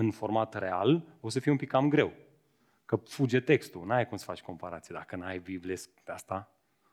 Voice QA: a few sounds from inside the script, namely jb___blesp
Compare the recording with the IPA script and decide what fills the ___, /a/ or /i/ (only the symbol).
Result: i